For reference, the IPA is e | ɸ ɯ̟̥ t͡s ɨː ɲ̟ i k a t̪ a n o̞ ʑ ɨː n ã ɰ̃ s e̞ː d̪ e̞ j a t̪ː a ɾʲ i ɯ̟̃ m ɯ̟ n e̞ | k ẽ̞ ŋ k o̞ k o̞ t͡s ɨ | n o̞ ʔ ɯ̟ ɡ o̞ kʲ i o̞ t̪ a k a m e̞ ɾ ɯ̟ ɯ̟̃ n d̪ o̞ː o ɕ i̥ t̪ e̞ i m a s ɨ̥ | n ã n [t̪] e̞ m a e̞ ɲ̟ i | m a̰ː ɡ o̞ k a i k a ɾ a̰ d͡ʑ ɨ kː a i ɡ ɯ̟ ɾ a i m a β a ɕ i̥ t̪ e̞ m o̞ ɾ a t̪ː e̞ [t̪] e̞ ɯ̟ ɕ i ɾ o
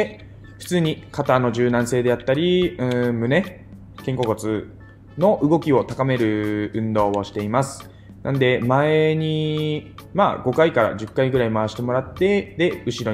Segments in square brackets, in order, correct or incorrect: incorrect: d̪, incorrect: d̪

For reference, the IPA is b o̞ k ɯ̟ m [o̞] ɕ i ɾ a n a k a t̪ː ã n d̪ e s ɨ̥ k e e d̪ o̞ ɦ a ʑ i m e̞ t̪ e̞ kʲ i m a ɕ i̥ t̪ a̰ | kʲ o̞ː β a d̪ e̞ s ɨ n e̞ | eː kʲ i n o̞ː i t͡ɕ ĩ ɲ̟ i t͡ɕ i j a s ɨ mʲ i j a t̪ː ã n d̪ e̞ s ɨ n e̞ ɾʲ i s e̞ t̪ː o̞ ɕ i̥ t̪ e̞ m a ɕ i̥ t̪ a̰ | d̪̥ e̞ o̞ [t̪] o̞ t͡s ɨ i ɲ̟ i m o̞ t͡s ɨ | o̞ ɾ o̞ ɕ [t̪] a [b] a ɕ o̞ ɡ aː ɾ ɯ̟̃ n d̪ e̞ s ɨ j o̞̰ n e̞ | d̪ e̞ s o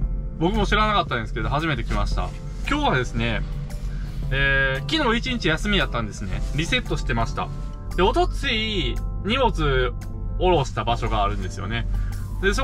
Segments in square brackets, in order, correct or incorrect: correct, correct, correct, correct

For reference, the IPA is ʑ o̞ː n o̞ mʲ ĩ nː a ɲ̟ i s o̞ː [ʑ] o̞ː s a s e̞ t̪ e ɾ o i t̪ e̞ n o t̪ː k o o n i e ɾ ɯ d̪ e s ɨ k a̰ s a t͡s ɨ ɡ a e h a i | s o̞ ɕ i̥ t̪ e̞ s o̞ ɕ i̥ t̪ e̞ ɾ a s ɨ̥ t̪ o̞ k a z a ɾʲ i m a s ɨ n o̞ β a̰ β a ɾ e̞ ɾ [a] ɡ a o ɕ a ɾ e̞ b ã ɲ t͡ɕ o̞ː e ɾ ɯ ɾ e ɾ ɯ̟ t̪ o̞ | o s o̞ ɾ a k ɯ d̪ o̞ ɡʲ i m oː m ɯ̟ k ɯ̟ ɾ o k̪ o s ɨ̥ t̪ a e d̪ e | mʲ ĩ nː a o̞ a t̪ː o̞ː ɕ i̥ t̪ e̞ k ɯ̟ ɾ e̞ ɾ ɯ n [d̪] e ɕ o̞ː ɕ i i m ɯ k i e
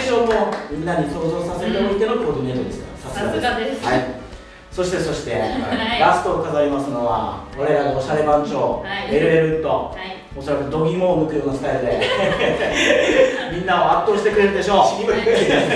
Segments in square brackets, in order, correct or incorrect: incorrect: z, correct, correct

